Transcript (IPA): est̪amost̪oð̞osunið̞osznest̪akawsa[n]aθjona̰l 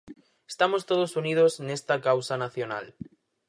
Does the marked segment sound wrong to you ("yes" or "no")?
no